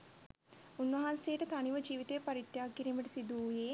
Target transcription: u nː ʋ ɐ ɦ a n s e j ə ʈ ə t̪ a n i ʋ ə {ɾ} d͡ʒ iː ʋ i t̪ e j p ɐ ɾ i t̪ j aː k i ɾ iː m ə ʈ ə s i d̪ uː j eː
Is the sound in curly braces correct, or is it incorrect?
incorrect